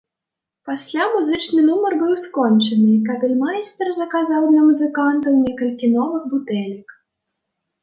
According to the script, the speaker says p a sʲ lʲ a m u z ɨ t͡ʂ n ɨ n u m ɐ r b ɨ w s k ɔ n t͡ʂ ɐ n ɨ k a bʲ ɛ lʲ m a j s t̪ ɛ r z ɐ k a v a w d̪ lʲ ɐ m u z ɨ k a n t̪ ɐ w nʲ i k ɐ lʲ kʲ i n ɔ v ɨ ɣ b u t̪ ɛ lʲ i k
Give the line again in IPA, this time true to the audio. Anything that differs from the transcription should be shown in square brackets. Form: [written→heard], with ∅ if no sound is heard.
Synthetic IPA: p a sʲ lʲ a m u z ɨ t͡ʂ n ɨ n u m ɐ r b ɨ w s k ɔ n t͡ʂ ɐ n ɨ k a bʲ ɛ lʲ m a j s t̪ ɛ r z ɐ k a [v→z] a w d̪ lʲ ɐ m u z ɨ k a n t̪ ɐ w nʲ [i→ɛ] k ɐ lʲ kʲ i n ɔ v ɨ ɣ b u t̪ ɛ lʲ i k